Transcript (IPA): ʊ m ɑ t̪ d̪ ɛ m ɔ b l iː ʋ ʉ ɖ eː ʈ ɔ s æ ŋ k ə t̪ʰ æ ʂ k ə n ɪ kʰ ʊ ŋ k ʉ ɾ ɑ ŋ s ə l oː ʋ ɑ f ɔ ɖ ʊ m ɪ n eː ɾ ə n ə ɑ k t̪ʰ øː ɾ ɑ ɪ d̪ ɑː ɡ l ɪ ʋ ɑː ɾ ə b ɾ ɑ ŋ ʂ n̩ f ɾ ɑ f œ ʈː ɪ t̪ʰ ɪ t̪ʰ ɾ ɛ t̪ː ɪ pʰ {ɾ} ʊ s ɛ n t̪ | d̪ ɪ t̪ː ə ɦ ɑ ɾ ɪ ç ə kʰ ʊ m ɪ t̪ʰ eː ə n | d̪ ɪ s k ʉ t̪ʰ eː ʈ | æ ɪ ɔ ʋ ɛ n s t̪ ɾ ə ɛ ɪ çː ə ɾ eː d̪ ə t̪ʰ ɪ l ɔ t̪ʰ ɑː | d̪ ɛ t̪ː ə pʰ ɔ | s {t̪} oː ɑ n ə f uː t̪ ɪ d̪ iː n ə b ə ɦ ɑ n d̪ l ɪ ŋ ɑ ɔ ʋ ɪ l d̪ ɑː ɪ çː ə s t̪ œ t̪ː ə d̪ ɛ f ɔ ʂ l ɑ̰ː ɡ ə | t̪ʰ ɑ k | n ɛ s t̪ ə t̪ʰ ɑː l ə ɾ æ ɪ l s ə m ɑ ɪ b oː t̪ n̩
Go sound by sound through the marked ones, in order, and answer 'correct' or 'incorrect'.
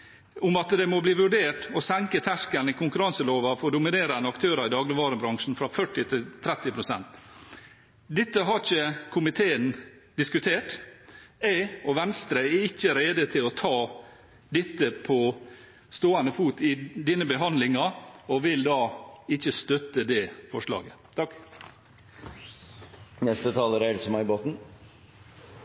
correct, correct

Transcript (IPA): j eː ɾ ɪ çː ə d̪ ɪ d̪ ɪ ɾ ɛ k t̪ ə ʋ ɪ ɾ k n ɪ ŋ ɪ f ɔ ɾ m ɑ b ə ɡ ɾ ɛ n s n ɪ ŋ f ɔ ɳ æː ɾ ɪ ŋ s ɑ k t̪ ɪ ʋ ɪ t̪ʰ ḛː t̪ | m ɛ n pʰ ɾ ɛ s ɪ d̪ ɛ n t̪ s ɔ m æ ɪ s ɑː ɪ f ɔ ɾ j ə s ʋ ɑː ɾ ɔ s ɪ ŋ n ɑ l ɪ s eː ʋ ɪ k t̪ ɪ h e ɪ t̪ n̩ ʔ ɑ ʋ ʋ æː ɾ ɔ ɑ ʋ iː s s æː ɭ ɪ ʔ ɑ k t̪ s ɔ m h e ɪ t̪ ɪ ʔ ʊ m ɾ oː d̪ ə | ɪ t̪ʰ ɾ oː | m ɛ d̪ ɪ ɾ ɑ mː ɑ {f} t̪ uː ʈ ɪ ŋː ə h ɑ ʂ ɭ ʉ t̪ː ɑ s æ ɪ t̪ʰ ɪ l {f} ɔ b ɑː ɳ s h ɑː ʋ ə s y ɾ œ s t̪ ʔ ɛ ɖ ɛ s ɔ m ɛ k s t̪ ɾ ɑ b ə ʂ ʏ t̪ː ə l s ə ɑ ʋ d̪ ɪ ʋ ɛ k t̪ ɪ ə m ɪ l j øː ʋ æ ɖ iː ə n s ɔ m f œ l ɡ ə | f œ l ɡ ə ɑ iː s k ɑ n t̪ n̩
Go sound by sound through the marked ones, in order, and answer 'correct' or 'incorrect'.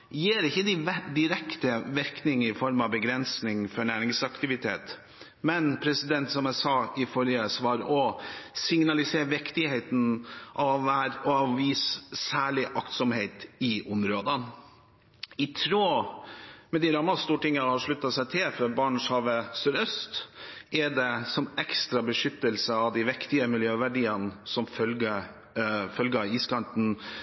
incorrect, correct

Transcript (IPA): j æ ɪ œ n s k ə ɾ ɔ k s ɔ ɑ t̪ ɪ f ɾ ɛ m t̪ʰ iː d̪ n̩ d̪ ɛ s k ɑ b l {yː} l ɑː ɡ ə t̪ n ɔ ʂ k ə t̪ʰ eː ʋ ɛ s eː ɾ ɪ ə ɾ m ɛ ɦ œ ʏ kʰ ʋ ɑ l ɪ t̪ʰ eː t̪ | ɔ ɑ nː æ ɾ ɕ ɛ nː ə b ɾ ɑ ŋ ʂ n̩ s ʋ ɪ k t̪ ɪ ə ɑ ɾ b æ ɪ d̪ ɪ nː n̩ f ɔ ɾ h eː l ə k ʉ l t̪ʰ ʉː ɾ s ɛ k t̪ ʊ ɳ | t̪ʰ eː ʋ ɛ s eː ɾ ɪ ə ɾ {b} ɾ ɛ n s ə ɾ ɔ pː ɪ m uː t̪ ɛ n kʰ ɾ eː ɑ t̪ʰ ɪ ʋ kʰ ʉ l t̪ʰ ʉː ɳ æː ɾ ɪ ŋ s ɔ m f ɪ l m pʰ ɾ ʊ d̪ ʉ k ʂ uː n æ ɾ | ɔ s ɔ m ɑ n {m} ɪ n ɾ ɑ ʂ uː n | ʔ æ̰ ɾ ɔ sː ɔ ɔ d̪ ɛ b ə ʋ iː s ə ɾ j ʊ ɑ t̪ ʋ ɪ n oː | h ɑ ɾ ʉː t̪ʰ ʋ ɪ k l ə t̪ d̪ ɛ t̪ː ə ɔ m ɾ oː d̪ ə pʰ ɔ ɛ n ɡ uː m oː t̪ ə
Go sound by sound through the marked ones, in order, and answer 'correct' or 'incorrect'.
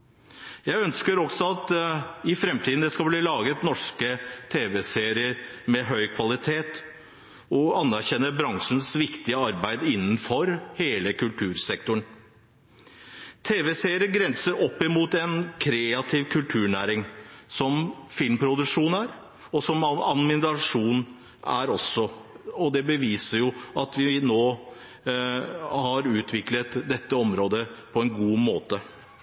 incorrect, incorrect, correct

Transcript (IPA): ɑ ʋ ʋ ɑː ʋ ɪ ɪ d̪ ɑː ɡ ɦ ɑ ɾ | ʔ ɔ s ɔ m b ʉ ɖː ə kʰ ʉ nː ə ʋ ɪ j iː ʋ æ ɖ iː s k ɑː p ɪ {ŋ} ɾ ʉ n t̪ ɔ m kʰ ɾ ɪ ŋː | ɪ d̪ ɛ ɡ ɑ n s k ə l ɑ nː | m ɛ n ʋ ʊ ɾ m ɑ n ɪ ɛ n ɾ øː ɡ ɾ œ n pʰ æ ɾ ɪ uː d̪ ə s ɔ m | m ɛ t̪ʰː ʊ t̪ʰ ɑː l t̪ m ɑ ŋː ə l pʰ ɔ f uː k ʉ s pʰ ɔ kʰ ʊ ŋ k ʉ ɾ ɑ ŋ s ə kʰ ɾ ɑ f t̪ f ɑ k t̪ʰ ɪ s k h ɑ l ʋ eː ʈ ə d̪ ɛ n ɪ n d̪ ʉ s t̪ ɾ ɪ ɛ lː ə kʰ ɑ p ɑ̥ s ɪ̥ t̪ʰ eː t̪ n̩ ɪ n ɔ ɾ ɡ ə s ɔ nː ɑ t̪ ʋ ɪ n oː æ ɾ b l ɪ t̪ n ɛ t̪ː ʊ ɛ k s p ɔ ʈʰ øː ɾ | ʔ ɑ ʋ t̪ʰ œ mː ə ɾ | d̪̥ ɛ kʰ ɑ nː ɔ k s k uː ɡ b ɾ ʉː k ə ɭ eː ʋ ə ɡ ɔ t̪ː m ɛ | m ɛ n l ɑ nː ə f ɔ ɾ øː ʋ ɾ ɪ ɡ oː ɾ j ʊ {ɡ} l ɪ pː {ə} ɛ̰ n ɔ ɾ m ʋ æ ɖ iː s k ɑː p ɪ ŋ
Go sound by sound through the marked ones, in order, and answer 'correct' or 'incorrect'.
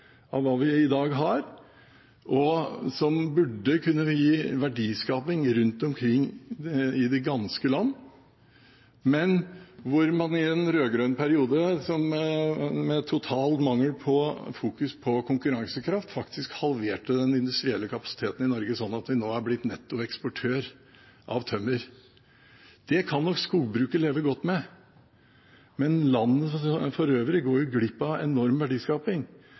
correct, correct, incorrect

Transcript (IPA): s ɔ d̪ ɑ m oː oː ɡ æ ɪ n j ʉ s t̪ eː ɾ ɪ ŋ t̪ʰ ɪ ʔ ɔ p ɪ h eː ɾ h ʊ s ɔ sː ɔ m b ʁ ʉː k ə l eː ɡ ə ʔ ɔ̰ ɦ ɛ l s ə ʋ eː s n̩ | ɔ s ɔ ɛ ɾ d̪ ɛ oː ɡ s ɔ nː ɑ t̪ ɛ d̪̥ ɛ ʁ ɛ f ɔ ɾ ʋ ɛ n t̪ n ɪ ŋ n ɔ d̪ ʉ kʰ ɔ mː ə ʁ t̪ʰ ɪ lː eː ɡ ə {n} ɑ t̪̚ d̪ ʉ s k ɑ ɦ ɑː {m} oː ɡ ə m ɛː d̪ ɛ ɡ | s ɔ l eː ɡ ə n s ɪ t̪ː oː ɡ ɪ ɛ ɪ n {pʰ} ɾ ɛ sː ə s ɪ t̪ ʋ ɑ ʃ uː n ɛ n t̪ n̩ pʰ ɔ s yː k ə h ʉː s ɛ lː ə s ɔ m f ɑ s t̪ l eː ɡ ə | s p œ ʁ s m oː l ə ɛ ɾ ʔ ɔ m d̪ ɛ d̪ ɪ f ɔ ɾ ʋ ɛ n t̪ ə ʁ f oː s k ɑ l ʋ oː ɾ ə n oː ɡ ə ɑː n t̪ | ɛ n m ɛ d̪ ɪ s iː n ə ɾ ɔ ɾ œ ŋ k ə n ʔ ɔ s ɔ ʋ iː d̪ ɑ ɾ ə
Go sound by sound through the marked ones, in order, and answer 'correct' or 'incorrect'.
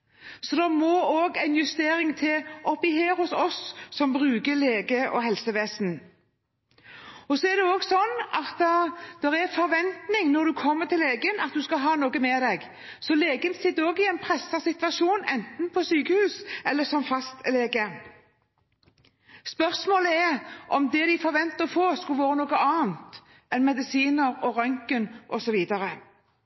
correct, incorrect, correct

